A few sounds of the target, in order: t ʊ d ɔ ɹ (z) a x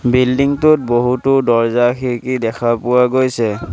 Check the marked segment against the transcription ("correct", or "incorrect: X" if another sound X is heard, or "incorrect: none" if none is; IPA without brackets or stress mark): correct